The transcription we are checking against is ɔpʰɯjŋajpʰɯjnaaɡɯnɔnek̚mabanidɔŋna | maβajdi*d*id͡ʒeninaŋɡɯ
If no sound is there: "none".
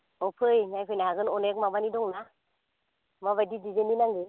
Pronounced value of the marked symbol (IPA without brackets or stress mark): d